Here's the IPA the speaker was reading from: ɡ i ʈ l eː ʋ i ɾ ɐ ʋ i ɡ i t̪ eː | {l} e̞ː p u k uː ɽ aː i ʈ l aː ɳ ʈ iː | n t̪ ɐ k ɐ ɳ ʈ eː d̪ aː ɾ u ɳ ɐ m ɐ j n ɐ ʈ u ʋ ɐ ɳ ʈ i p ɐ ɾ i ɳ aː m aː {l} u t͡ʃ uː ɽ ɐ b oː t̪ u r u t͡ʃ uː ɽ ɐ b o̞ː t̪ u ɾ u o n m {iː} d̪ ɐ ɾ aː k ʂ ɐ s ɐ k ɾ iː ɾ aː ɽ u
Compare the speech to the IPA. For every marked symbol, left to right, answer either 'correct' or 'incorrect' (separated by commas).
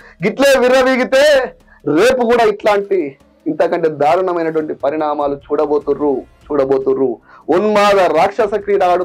incorrect, correct, incorrect